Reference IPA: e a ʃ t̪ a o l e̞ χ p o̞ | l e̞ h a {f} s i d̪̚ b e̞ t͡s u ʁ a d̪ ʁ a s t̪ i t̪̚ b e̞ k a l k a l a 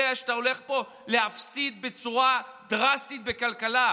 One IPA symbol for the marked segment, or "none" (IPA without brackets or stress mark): f